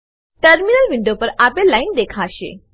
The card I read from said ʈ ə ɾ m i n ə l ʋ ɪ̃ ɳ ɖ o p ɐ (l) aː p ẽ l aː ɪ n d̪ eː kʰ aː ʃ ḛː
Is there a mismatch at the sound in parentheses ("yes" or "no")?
yes